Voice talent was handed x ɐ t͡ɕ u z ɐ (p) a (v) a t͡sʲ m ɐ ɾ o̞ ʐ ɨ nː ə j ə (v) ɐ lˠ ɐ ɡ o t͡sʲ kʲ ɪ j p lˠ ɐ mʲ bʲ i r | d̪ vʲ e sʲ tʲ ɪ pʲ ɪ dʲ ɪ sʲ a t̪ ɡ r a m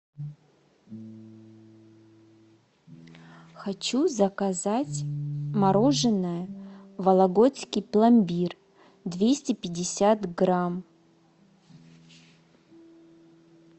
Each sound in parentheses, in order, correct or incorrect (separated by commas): incorrect, incorrect, correct